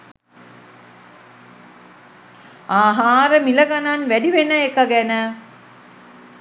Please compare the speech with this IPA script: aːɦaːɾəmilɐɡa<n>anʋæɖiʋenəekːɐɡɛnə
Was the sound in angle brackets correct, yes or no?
yes